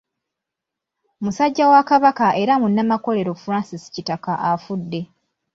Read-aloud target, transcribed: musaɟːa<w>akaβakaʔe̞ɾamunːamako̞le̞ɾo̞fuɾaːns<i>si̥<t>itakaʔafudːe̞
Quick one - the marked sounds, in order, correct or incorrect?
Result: correct, correct, incorrect: c

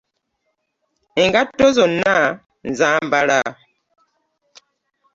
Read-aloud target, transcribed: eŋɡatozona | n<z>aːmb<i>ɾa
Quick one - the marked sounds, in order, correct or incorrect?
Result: correct, incorrect: a

